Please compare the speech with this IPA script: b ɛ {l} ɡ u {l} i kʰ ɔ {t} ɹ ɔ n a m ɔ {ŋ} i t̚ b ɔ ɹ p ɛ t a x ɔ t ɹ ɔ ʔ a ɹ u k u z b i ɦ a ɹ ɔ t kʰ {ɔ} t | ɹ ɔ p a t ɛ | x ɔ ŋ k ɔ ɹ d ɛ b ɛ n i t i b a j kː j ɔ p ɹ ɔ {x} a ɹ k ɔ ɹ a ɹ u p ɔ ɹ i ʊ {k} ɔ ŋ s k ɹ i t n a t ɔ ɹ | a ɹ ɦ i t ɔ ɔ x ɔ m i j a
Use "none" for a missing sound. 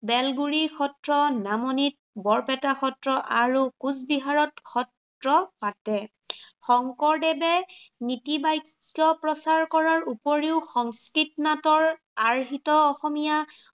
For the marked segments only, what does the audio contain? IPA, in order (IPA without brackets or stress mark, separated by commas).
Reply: l, ɹ, t, n, ɔ, s, x